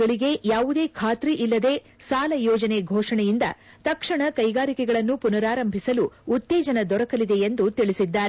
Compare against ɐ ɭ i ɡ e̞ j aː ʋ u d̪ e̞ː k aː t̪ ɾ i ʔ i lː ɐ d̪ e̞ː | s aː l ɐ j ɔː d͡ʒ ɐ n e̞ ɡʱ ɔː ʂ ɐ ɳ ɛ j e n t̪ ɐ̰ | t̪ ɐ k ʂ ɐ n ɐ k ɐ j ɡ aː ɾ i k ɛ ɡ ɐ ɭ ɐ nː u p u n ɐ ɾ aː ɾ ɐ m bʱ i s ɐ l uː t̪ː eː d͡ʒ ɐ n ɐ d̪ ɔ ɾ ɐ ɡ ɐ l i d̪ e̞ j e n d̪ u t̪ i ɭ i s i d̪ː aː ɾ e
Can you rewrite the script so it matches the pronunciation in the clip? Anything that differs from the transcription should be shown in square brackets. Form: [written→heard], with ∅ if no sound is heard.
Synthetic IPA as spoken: ɐ ɭ i ɡ e̞ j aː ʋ u d̪ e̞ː [k→kʰ] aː t̪ ɾ i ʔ i lː ɐ d̪ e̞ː | s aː l ɐ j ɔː d͡ʒ ɐ n e̞ ɡʱ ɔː ʂ ɐ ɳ ɛ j [e→i] n [t̪→d̪] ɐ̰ | t̪ ɐ k ʂ ɐ [n→ɳ] ɐ k ɐ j ɡ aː ɾ i k ɛ ɡ ɐ ɭ ɐ nː u p u n ɐ ɾ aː ɾ ɐ m bʱ i s ɐ l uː t̪ː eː d͡ʒ ɐ n ɐ d̪ ɔ ɾ ɐ [ɡ→k] ɐ l i d̪ e̞ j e n d̪ u t̪ i ɭ i s i d̪ː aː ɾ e